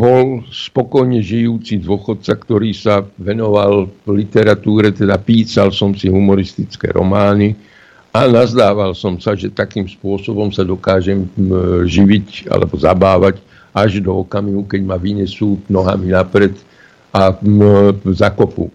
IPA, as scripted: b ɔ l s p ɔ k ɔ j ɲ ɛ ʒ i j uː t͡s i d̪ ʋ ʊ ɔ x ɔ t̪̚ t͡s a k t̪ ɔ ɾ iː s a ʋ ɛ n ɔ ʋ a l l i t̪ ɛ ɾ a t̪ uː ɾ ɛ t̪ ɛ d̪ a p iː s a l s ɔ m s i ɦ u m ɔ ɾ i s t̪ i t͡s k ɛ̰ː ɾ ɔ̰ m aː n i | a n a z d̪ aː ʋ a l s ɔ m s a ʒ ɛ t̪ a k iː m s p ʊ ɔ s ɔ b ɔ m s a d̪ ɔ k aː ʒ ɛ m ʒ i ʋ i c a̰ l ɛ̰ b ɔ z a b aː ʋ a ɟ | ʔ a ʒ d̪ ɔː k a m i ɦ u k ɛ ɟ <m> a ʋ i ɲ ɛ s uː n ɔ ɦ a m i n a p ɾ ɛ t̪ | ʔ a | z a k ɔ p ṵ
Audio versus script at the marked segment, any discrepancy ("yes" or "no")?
no